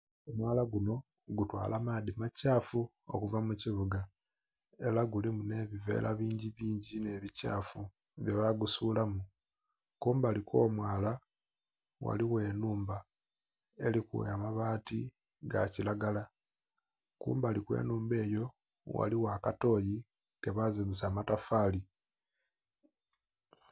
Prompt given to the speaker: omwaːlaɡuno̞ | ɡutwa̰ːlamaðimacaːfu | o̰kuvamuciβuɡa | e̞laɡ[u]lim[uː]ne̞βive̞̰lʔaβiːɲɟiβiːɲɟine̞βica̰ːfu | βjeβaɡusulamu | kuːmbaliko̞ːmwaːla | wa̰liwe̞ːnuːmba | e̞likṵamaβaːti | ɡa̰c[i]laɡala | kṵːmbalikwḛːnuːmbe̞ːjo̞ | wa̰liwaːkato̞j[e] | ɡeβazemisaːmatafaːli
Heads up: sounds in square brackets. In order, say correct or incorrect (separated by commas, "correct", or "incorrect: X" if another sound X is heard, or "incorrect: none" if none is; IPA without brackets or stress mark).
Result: correct, incorrect: u, correct, incorrect: i